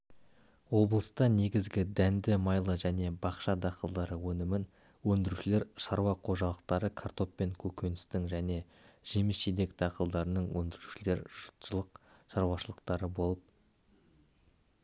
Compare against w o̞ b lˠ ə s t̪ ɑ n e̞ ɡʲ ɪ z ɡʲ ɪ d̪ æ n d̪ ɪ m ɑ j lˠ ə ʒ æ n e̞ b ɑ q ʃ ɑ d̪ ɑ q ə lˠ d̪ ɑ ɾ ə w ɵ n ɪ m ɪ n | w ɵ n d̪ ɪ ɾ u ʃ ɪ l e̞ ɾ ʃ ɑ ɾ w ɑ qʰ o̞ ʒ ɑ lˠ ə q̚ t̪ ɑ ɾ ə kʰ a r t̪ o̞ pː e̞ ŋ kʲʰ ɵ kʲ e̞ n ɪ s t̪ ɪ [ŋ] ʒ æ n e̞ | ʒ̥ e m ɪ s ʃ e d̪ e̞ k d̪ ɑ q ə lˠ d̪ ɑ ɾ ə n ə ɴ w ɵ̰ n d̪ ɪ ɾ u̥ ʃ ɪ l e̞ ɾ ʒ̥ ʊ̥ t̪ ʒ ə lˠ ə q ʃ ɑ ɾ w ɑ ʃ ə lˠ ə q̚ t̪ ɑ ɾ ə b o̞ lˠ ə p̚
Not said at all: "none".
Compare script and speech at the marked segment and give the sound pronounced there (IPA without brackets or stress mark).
ŋ